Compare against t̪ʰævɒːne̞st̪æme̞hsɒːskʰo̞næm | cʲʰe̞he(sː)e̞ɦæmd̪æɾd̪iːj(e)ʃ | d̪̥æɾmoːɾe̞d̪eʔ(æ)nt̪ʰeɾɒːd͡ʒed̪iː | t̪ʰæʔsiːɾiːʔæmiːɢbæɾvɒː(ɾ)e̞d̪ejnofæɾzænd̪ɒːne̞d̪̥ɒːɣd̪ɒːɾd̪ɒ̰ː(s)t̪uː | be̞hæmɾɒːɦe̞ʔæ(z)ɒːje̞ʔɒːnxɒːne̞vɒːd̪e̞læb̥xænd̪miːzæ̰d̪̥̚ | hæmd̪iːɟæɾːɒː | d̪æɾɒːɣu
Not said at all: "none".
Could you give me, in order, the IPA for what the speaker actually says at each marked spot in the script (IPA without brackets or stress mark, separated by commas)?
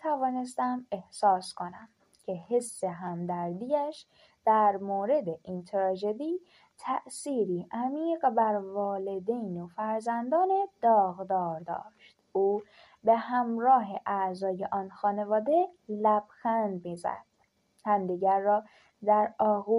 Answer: sː, æ, i, l, ʃ, z